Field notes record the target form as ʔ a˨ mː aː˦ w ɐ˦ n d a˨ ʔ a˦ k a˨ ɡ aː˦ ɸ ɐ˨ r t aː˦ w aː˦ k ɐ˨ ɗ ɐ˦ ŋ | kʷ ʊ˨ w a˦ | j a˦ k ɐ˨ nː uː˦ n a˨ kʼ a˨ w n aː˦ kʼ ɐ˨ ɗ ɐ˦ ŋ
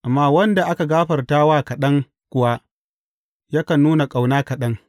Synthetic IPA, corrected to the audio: ʔ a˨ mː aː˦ w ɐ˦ n d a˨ ʔ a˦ k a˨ ɡ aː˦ ɸ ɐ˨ r t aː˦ w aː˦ k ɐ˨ ɗ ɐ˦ ŋ | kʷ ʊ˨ w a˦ | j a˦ k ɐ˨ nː uː˦ n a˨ kʼ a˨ w n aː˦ k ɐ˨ ɗ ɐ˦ ŋ